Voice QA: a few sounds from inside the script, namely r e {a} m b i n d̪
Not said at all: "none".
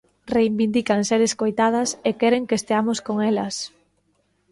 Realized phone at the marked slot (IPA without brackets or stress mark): i